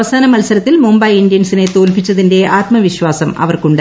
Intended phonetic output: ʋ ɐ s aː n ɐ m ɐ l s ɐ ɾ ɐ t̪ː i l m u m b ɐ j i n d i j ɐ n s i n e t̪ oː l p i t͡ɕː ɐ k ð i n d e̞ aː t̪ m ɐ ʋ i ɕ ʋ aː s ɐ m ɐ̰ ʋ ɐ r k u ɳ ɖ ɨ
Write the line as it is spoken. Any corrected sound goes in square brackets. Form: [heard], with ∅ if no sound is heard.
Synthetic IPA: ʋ ɐ s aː n ɐ m ɐ l s ɐ ɾ ɐ t̪ː i l m u m b ɐ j i n d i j ɐ n s i n e t̪ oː l p i t͡ɕː ɐ [∅] ð i n d e̞ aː t̪ m ɐ ʋ i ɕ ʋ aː s ɐ m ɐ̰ ʋ ɐ r k u ɳ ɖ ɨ